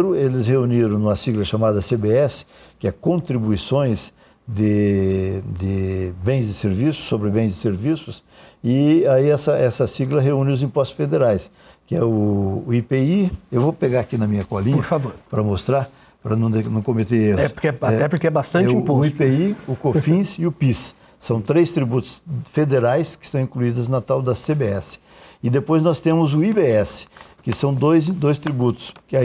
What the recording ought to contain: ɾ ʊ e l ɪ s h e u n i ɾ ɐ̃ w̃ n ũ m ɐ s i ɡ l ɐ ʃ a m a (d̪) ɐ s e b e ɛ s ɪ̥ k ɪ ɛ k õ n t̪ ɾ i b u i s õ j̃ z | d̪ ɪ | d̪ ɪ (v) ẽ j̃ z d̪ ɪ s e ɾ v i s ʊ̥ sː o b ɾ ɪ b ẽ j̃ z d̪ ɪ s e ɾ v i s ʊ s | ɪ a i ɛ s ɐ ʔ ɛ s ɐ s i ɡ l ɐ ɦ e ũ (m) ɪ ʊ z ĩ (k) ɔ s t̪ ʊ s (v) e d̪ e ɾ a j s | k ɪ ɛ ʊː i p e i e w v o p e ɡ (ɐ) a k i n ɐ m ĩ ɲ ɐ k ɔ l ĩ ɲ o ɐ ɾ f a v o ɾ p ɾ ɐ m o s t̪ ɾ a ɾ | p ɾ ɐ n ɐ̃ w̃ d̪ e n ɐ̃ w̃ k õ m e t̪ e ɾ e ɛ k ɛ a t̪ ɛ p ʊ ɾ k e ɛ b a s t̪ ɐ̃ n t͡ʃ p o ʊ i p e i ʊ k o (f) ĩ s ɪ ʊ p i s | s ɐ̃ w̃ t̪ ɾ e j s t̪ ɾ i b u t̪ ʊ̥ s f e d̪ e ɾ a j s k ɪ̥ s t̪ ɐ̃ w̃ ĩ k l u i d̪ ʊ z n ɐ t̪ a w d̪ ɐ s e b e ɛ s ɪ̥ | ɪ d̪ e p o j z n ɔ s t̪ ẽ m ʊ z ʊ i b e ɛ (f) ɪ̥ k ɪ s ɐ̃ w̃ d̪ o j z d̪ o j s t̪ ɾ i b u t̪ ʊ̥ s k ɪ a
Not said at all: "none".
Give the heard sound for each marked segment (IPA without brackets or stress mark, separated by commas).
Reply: d̪, b, n, p, f, a, f, s